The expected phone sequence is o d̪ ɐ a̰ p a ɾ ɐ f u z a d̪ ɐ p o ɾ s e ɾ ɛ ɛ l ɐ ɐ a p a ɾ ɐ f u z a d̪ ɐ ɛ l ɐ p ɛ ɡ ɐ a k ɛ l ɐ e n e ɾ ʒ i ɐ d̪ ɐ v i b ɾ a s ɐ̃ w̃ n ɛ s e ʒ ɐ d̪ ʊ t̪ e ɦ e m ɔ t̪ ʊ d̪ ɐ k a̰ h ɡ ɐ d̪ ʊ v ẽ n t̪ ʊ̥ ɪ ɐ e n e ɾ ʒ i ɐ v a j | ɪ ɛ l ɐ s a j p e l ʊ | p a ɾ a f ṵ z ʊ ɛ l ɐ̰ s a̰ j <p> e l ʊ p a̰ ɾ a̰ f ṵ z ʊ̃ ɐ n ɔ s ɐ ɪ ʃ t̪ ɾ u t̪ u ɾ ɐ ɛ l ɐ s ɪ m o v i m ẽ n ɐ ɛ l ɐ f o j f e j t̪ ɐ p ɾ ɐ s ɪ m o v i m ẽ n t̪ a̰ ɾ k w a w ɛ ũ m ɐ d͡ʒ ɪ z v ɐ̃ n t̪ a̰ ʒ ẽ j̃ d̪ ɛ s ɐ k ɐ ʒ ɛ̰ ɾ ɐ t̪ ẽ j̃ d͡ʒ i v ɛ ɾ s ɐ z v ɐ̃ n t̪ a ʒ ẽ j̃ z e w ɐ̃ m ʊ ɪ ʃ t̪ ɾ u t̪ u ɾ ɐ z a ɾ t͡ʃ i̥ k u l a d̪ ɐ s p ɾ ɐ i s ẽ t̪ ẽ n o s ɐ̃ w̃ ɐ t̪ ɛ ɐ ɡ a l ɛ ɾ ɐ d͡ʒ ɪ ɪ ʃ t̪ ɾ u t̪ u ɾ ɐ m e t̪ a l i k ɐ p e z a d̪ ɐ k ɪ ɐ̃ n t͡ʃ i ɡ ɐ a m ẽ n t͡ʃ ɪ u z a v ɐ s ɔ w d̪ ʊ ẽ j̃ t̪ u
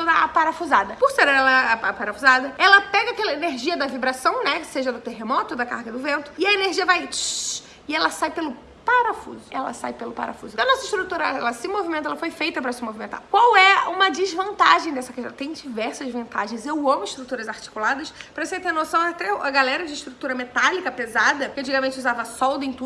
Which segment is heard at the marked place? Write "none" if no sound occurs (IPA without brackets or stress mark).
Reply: p